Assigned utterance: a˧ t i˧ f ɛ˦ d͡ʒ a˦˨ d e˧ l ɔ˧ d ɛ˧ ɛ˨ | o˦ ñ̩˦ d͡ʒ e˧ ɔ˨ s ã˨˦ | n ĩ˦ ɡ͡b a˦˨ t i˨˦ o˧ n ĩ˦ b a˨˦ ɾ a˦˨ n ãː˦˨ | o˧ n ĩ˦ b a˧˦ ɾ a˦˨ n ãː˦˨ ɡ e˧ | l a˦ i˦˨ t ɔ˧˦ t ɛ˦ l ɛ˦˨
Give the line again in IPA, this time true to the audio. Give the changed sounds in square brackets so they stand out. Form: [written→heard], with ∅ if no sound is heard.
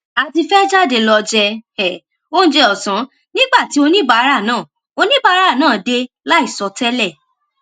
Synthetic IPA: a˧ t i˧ f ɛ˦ d͡ʒ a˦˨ d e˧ l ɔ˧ [d→d͡ʒ] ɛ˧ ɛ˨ | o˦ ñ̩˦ d͡ʒ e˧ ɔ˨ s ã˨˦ | n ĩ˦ ɡ͡b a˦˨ t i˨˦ o˧ n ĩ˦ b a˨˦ ɾ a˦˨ n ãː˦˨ | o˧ n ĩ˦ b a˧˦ ɾ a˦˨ n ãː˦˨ [ɡ→d] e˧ | l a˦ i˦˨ [t→s] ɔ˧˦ t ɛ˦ l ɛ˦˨

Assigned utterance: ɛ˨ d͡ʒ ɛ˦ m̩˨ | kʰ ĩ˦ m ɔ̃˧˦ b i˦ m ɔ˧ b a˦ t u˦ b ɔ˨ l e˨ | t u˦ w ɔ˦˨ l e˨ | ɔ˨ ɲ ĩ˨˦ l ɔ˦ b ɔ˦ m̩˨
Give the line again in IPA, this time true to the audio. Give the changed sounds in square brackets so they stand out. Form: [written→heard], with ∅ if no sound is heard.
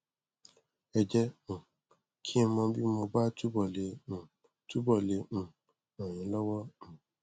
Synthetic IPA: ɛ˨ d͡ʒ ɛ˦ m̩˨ | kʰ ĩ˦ m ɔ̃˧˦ b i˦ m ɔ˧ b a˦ t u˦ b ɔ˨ l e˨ | t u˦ [w→b] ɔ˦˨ l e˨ | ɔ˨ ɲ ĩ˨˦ l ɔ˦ [b→w] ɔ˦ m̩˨

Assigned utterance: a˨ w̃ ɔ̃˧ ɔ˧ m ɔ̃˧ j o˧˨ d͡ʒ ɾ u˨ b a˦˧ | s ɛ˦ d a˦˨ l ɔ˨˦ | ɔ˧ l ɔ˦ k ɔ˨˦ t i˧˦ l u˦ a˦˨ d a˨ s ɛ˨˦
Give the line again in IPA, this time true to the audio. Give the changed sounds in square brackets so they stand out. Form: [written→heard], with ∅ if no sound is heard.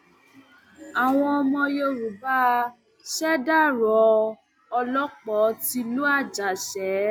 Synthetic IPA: a˨ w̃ ɔ̃˧ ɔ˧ m ɔ̃˧ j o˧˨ [d͡ʒ→∅] ɾ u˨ b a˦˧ | [s→ʃ] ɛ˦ d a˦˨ [l→ɾ] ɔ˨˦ | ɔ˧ l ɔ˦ [k→k͡p] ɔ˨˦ t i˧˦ l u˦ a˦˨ [d→d͡ʒ] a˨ [s→ʃ] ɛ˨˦

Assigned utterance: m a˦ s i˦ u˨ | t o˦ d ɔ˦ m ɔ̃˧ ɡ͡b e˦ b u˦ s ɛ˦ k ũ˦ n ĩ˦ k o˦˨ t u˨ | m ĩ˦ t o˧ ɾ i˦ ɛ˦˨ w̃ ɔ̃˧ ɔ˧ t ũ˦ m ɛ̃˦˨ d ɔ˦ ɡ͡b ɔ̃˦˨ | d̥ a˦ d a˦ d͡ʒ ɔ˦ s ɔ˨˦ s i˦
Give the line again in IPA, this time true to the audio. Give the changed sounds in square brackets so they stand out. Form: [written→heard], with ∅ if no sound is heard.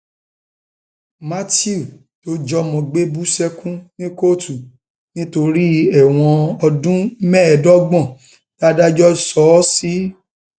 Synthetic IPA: m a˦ [s→t] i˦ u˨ | t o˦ [d→d͡ʒ] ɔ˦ m ɔ̃˧ ɡ͡b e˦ b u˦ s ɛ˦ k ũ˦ n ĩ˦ k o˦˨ t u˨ | [m→n] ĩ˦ t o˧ ɾ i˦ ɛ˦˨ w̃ ɔ̃˧ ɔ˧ [t→d] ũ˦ m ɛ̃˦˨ d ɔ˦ ɡ͡b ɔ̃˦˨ | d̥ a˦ d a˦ d͡ʒ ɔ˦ s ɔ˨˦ s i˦

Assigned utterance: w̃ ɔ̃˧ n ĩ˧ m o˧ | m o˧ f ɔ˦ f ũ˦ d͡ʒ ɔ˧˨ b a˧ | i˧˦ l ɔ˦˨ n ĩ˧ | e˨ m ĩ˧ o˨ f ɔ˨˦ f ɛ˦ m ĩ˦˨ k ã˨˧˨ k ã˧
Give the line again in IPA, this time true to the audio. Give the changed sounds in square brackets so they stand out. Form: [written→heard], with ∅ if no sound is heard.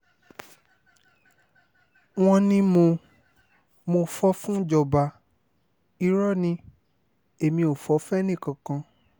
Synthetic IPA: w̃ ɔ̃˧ n ĩ˧ m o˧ | m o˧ f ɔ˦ f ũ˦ d͡ʒ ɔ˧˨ b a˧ | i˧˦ [l→ɾ] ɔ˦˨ n ĩ˧ | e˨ m ĩ˧ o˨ f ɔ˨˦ f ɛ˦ [m→n] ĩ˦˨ k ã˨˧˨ k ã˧

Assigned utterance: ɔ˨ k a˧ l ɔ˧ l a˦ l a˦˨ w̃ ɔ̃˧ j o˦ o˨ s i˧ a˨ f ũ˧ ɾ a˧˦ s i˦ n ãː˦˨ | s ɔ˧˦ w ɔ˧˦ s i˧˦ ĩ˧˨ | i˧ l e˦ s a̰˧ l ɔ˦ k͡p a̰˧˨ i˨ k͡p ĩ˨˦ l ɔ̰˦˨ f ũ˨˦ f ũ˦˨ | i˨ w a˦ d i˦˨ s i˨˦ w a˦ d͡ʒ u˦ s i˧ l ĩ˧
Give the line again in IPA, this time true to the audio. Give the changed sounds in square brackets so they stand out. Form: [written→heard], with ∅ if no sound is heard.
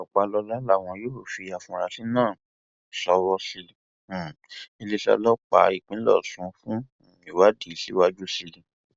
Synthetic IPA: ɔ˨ [k→k͡p] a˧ l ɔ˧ l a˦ l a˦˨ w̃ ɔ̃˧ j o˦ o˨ [s→f] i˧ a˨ f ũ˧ ɾ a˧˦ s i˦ n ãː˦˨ | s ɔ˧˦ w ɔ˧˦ s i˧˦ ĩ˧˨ | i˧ l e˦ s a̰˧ l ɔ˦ k͡p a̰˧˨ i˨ k͡p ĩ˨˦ l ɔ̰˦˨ [f→s] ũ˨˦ f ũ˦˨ | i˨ w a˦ d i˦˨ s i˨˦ w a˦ d͡ʒ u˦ s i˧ l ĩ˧

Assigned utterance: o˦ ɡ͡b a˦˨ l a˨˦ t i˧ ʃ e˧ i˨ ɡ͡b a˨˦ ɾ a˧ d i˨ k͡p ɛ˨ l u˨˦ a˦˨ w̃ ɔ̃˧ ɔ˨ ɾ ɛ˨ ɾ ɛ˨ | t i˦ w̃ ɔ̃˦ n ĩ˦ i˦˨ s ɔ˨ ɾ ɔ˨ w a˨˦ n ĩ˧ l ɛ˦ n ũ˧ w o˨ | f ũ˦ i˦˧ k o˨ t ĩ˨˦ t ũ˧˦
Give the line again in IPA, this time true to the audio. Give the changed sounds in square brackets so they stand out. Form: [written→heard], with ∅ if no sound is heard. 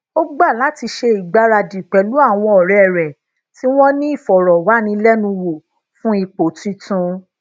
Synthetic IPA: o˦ ɡ͡b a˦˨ l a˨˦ t i˧ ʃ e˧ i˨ ɡ͡b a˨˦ ɾ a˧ d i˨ k͡p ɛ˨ l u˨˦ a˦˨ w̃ ɔ̃˧ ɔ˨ ɾ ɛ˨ ɾ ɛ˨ | t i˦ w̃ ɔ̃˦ n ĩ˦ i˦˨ [s→f] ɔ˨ ɾ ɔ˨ w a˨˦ n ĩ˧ l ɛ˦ n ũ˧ w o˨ | f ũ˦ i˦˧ [k→k͡p] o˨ t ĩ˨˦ t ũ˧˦

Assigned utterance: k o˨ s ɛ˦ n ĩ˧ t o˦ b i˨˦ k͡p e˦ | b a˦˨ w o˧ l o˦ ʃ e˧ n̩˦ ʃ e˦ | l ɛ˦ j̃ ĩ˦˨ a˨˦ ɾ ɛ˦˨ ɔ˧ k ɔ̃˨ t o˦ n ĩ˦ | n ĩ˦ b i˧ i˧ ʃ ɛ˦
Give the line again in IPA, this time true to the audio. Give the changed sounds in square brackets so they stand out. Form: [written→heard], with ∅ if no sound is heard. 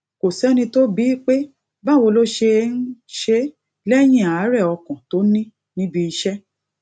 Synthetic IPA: k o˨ s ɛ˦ n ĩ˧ t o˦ b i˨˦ k͡p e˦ | b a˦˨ w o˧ l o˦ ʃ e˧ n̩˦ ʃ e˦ | l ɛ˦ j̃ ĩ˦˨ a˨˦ ɾ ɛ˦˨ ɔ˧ k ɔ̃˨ t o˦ n ĩ˦ | n ĩ˦ b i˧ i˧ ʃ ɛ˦

